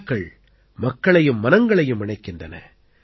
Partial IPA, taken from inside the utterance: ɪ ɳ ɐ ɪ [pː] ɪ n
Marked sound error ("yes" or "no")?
yes